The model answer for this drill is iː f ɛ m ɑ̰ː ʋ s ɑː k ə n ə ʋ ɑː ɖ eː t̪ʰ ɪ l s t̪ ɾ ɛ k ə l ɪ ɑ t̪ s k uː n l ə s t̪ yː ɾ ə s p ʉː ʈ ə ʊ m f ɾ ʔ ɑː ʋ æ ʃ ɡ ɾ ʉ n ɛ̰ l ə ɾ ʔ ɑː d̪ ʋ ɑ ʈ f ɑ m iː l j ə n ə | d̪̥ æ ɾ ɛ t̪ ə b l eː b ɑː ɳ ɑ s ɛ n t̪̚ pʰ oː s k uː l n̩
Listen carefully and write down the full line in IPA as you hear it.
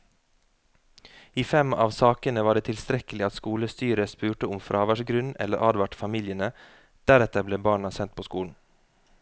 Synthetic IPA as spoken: iː f ɛ m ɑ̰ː ʋ s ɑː k ə n ə ʋ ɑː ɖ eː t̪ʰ ɪ l s t̪ ɾ ɛ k ə l ɪ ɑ t̪ s k uː l ə s t̪ yː ɾ ə s p ʉː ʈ ə ʊ m f ɾ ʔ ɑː ʋ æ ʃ ɡ ɾ ʉ n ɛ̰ l ə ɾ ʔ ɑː d̪ ʋ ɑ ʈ f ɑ m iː l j ə n ə | d̪̥ æ ɾ ɛ t̪ ə b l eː b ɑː ɳ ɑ s ɛ n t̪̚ pʰ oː s k uː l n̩